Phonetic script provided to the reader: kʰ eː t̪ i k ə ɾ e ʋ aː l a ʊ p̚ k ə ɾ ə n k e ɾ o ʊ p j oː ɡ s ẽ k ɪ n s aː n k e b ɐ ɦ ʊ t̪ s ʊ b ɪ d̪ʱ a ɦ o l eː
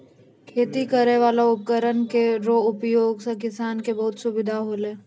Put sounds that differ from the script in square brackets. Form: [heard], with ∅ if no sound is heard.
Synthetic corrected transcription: kʰ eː t̪ i k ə ɾ e ʋ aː l a ʊ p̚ k ə ɾ ə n k e ɾ o ʊ p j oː ɡ s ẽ k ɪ [∅] s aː n k e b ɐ ɦ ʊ t̪ s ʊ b ɪ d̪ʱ a ɦ o l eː